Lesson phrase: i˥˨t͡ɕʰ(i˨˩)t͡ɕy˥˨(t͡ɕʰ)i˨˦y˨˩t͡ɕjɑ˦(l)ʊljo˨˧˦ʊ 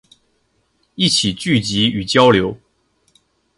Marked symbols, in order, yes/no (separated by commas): yes, no, no